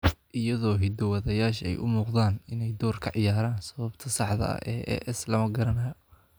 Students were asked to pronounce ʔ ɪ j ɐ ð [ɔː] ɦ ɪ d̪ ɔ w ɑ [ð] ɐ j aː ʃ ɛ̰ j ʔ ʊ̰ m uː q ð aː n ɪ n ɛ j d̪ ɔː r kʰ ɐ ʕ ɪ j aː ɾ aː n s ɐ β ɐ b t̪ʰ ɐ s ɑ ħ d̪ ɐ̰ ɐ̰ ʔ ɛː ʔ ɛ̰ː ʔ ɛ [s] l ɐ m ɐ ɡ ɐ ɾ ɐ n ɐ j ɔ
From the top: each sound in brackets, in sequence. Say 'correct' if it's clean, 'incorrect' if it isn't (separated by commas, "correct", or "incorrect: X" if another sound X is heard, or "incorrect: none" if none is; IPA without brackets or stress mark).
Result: correct, correct, correct